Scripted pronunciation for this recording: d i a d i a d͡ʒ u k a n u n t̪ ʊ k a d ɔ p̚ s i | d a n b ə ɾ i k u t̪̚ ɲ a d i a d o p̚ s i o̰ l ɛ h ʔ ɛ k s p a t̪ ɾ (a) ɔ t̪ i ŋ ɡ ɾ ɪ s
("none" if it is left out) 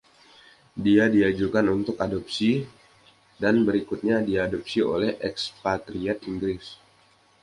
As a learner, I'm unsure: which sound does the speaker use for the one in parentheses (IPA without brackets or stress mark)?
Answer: i